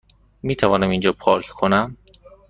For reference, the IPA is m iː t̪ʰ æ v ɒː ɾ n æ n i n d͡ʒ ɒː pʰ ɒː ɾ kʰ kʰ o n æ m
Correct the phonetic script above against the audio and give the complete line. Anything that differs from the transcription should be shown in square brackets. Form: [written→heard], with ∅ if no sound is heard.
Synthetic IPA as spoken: m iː t̪ʰ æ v ɒː [ɾ→∅] n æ [n→m] i n d͡ʒ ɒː pʰ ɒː ɾ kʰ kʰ o n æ m